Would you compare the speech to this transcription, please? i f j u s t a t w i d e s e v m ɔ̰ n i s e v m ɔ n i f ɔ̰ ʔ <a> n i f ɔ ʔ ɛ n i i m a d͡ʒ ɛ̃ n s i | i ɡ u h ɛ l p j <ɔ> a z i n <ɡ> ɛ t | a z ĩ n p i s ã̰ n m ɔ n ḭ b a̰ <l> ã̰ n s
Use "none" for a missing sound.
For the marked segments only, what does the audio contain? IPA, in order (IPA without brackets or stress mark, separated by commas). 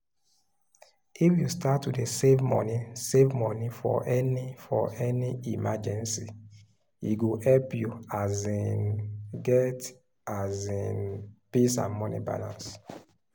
ɛ, u, ɡ, l